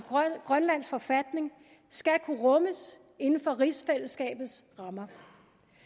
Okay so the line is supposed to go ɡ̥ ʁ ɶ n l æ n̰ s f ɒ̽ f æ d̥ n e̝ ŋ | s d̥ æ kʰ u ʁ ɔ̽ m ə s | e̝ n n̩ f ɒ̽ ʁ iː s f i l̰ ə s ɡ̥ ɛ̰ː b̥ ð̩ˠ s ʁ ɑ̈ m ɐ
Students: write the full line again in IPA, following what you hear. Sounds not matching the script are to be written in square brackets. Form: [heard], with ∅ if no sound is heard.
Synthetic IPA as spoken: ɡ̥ ʁ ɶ n l æ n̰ s f ɒ̽ f æ d̥ n e̝ ŋ | s [ɡ̥] æ kʰ u ʁ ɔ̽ m ə s | e̝ n n̩ f ɒ̽ ʁ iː s f [e] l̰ ə s ɡ̥ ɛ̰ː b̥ ð̩ˠ s ʁ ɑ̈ m ɐ